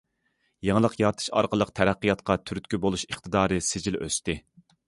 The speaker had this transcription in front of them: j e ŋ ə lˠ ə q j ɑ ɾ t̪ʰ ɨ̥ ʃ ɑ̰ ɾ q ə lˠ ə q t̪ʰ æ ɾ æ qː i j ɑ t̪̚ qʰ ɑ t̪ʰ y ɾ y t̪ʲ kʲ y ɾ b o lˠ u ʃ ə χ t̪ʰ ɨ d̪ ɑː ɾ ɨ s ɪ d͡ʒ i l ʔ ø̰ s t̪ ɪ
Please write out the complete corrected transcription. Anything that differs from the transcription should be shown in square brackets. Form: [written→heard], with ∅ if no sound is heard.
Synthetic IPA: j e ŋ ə lˠ ə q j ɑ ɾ t̪ʰ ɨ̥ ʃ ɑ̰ ɾ q ə lˠ ə q t̪ʰ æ ɾ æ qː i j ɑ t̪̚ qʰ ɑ t̪ʰ y ɾ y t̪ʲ kʲ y [ɾ→∅] b o lˠ u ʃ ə χ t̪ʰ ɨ d̪ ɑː ɾ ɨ s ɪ d͡ʒ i l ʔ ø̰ s t̪ ɪ